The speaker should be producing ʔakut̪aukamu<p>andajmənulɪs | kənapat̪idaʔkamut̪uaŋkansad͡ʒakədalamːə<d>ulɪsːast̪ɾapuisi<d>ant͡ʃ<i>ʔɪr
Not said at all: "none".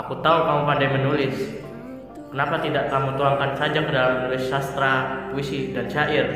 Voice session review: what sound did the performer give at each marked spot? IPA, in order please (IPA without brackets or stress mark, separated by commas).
p, n, d, a